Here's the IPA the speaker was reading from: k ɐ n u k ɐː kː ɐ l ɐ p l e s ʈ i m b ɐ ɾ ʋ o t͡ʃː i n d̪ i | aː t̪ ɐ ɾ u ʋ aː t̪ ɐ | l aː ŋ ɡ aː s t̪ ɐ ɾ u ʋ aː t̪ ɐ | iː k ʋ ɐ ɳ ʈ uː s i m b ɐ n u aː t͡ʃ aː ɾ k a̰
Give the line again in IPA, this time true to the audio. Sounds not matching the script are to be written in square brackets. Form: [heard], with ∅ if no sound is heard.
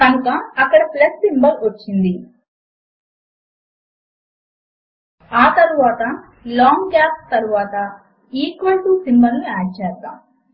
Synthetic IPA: k ɐ n u k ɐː kː ɐ [ɽ] ɐ p l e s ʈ i m b ɐ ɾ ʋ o t͡ʃː i n d̪ i | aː t̪ ɐ ɾ u ʋ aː t̪ ɐ | l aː ŋ ɡ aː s t̪ ɐ ɾ u ʋ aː t̪ ɐ | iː k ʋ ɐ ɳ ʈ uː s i m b ɐ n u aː t͡ʃ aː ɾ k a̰